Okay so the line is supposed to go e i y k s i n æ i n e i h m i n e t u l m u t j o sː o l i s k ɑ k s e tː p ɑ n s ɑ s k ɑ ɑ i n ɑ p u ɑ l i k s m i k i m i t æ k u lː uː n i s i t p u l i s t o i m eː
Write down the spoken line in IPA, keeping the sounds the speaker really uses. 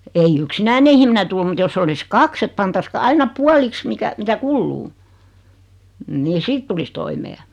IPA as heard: e i y k s i n æ i n e i h m i n e t u l m u t j o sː o l i s k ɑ k s e tː p ɑ n t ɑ s k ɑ ɑ i n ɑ p u ɑ l i k s m i k æ m i t æ k u lː uː n i s i t t u l i s t o i m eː